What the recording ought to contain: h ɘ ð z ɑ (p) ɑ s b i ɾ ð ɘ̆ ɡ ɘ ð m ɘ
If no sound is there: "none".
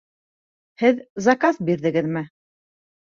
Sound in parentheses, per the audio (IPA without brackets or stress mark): k